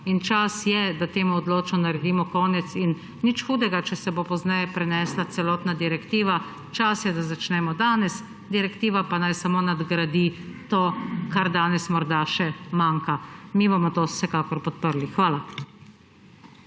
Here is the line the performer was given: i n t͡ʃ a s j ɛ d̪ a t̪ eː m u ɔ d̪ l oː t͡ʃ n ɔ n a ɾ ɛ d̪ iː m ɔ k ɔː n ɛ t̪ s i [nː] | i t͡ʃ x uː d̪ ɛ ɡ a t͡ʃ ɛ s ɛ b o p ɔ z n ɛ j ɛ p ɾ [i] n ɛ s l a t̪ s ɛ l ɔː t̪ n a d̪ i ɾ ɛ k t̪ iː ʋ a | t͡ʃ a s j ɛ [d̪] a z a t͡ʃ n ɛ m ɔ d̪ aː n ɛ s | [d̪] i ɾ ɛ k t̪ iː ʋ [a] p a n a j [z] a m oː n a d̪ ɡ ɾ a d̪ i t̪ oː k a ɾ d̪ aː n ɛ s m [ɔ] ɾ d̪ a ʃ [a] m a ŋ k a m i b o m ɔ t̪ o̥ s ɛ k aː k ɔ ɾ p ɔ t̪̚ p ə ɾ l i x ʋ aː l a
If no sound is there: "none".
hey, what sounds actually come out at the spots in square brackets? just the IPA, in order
nː, ɛ, d̪, d̪, a, s, ɔ, ɛ

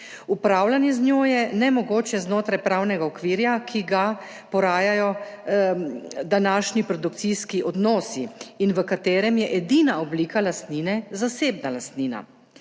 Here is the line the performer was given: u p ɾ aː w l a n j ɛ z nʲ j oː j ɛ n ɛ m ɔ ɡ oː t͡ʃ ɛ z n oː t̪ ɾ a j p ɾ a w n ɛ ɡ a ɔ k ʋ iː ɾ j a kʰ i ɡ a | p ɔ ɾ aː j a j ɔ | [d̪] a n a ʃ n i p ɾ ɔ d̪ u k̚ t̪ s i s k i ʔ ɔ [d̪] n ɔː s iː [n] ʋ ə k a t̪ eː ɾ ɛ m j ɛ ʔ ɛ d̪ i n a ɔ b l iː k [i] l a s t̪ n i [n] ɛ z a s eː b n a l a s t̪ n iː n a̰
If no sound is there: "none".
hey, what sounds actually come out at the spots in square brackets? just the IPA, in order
d̪, d̪, n, a, n

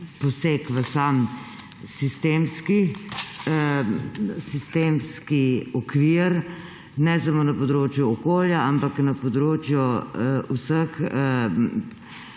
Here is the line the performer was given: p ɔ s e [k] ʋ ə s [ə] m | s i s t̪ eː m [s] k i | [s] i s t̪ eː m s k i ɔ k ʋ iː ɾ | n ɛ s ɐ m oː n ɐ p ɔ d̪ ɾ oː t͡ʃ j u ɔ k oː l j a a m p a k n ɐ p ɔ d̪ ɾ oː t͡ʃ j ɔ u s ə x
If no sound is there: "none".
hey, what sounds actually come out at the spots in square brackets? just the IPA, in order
k, a, s, s

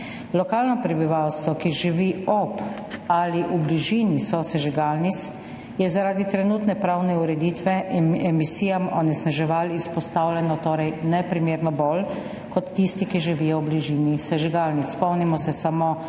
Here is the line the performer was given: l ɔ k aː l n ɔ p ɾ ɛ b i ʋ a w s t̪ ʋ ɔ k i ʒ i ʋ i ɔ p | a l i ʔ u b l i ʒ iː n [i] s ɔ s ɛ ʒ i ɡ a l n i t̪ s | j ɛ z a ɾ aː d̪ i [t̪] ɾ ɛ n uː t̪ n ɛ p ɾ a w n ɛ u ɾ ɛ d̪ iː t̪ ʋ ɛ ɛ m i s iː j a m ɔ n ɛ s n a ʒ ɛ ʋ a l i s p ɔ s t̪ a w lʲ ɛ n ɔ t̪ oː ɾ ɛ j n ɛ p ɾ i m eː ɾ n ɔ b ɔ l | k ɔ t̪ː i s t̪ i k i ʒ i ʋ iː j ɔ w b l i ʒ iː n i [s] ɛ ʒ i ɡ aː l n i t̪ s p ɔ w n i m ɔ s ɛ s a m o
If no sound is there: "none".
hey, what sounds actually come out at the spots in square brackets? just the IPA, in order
i, t̪, s

